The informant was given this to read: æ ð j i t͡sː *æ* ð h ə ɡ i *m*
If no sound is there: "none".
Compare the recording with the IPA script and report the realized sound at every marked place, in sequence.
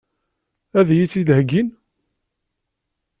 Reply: i, n

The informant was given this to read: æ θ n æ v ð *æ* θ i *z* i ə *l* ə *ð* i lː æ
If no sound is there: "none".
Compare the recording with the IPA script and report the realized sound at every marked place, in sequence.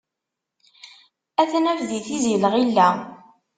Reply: i, z, l, ʁ

